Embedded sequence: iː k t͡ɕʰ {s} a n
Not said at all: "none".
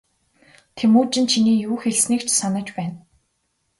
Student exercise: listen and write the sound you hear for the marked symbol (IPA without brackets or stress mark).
s